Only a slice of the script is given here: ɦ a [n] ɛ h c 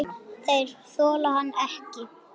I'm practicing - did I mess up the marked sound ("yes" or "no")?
yes